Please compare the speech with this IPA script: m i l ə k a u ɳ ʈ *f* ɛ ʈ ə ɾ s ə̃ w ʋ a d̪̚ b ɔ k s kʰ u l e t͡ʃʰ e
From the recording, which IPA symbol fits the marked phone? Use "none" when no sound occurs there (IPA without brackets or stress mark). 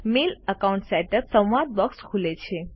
s